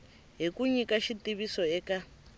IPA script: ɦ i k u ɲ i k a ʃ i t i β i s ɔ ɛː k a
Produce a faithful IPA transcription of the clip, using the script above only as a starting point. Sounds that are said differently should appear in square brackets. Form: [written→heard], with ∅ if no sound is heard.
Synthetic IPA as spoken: ɦ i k u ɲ i k a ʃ i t i β i s ɔ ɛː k a